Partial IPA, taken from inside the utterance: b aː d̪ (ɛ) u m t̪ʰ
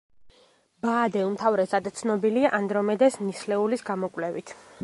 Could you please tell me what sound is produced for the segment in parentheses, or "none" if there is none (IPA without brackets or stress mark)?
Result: ɛ